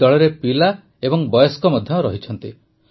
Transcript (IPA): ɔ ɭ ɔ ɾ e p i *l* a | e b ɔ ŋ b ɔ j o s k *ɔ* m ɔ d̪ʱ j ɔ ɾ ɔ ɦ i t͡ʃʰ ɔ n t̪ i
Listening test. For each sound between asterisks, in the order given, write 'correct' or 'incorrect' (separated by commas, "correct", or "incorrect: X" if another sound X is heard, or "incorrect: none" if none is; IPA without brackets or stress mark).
correct, correct